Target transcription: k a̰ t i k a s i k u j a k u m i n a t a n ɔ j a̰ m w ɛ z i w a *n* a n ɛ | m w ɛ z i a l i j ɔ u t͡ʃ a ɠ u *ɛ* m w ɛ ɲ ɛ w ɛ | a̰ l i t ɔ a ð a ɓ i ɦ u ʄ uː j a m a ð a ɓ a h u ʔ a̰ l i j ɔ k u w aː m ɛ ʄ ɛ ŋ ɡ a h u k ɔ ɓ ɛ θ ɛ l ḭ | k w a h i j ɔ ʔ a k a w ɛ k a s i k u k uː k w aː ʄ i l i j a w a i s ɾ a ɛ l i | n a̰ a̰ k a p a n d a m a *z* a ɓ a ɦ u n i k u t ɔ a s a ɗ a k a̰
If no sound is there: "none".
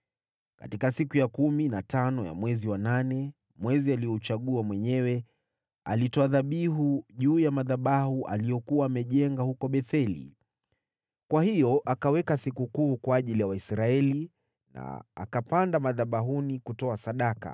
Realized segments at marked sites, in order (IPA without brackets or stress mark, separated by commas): n, a, ð